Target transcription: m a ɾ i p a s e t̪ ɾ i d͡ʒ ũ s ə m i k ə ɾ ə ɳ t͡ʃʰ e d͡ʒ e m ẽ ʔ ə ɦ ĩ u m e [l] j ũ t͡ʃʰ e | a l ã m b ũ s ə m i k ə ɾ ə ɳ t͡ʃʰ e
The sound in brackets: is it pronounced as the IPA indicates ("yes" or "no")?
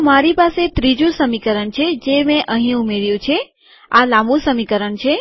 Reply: no